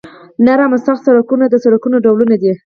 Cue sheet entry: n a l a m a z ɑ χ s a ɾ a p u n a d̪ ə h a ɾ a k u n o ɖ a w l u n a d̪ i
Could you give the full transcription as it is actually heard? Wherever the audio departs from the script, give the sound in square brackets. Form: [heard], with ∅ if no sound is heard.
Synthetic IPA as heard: n a [ɾ] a m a [s] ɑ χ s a ɾ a [k] u n a d̪ ə [s] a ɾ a k u n o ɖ a w l u n a d̪ i